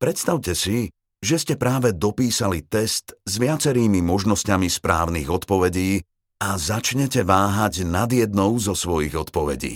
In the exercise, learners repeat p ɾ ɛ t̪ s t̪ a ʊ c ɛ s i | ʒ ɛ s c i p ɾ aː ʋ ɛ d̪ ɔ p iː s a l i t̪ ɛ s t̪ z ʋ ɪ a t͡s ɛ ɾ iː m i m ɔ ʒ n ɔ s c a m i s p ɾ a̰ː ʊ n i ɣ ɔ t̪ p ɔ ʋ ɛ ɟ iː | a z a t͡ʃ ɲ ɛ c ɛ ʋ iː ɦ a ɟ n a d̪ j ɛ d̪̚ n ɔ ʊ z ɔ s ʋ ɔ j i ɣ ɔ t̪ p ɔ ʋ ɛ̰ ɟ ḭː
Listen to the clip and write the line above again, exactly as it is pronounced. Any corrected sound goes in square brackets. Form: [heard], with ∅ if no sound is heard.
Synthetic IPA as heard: p ɾ ɛ t̪ s t̪ a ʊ c ɛ s i | ʒ ɛ s c [ɛ] p ɾ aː ʋ ɛ d̪ ɔ p iː s a l i t̪ ɛ s t̪ z ʋ ɪ a t͡s ɛ ɾ iː m i m ɔ ʒ n ɔ s c a m i s p ɾ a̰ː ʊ n i ɣ ɔ t̪ p ɔ ʋ ɛ ɟ iː | a z a t͡ʃ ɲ ɛ c ɛ ʋ [aː] ɦ a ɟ n a d̪ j ɛ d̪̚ n ɔ ʊ z ɔ s ʋ ɔ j i ɣ ɔ t̪ p ɔ ʋ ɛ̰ ɟ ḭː